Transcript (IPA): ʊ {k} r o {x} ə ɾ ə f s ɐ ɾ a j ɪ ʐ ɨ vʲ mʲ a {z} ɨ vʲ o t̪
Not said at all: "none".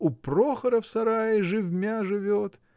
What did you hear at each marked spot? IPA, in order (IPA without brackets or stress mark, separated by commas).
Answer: p, x, ʐ